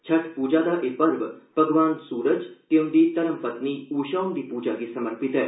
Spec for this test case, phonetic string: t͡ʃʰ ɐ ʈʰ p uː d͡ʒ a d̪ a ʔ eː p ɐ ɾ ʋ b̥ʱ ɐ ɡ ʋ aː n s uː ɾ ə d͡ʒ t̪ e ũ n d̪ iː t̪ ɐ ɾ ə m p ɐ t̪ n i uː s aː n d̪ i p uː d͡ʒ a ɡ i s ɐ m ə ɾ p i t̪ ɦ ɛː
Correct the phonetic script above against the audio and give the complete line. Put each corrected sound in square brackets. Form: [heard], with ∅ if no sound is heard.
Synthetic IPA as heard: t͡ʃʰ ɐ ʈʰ p uː d͡ʒ a d̪ a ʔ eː p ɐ ɾ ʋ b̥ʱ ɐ ɡ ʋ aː n s uː ɾ ə d͡ʒ t̪ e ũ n d̪ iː t̪ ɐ ɾ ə m p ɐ t̪ n i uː [ʃ] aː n d̪ i p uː d͡ʒ a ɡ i s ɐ m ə ɾ p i t̪ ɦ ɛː